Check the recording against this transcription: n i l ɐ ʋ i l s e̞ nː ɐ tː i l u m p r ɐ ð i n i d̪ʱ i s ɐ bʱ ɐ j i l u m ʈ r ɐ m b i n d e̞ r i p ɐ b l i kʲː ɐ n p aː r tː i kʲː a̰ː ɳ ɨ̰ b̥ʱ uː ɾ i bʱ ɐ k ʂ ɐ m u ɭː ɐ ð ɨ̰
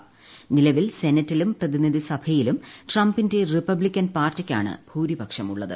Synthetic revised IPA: n i l ɐ ʋ i l s e̞ n ɐ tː i l u m p r ɐ ð i n i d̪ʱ i s ɐ bʱ ɐ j i l u m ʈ r ɐ m b i n d e̞ r i p ɐ b l i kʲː ɐ n p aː r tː i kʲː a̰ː ɳ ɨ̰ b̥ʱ uː ɾ i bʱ ɐ k ʂ ɐ m u ɭː ɐ ð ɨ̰